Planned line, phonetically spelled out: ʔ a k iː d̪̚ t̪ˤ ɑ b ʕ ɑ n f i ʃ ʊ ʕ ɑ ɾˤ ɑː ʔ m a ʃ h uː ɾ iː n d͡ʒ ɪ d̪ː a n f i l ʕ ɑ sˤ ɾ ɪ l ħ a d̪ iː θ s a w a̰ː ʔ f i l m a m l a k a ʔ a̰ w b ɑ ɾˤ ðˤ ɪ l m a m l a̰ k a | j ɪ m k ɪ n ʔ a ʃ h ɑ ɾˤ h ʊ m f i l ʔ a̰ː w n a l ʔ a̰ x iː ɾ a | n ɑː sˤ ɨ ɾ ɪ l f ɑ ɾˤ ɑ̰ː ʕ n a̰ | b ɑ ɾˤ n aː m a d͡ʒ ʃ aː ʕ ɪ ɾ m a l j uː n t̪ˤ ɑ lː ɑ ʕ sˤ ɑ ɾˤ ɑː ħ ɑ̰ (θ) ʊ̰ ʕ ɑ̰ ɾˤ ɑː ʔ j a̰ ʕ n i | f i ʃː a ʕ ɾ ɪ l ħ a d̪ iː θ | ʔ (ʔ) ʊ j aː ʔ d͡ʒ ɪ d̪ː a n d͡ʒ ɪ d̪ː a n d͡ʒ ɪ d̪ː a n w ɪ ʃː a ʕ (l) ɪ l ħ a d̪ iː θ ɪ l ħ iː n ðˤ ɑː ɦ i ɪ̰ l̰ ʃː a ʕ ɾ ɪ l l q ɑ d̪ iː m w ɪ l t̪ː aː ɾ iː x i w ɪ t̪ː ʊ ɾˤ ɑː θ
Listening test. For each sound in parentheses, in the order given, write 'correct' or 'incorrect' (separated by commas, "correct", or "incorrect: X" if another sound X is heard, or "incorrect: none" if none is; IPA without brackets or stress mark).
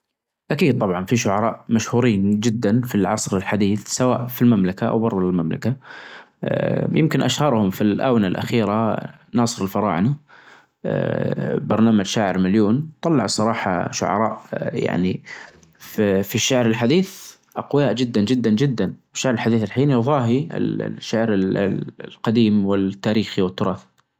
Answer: incorrect: ʃ, incorrect: q, incorrect: ɾ